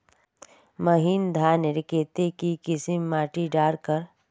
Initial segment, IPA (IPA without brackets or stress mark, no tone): m